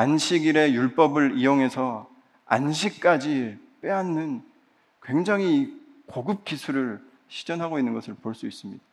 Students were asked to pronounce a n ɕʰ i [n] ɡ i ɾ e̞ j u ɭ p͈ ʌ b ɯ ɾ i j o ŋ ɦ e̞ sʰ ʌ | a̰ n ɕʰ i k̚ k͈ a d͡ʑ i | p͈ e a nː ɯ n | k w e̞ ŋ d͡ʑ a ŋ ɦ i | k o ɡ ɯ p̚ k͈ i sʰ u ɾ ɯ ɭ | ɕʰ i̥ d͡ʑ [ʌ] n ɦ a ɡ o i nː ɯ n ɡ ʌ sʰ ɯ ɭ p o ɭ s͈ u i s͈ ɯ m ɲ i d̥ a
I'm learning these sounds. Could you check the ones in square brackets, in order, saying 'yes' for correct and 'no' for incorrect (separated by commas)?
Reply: no, yes